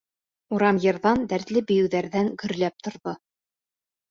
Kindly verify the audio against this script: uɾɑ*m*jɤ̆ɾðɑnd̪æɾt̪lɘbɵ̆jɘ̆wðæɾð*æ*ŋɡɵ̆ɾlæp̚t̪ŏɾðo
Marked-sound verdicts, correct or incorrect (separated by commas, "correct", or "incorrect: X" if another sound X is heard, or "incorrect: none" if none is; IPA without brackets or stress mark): correct, correct